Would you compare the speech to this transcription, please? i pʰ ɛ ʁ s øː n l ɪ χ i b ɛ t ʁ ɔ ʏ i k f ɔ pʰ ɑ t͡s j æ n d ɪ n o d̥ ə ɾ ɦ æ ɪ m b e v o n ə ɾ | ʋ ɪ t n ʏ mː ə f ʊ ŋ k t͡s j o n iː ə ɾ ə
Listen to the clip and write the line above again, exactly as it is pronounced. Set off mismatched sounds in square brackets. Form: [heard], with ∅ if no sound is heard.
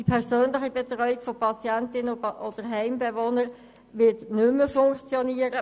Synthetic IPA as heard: i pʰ ɛ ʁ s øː n l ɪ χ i b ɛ t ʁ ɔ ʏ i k f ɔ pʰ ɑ t͡s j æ n [t] ɪ n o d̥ ə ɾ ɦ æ ɪ m b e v o n ə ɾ | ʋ ɪ t n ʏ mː ə f ʊ ŋ k t͡s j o n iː ə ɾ ə